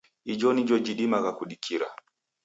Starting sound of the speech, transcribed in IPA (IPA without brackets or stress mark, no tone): i